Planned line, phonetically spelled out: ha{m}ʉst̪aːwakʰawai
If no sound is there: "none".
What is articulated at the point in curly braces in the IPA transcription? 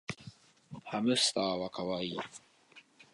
m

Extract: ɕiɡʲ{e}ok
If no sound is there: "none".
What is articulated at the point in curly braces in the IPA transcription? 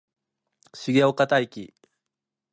e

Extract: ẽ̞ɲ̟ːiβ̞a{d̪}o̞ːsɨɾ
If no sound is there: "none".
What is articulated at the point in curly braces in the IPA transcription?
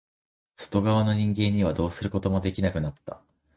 d̪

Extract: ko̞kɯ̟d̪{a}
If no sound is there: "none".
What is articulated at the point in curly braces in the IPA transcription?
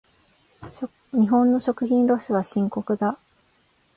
a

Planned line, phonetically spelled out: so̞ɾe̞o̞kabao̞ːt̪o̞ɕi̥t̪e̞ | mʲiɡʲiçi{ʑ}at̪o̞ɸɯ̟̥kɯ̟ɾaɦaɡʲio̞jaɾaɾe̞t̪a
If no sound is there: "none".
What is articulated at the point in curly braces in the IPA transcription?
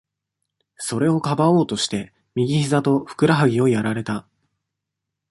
z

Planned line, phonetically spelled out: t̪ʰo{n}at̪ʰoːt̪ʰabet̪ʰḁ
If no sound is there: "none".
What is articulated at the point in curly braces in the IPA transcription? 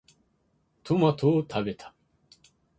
m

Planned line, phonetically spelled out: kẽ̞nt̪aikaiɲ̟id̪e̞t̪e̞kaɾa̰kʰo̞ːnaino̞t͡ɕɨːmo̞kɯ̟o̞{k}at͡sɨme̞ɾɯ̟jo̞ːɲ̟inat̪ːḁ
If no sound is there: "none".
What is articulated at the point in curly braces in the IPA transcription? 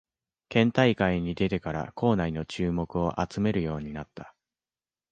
ʔ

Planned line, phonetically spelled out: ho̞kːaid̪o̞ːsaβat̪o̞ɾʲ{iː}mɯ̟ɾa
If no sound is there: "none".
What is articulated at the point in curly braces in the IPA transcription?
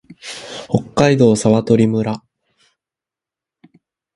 i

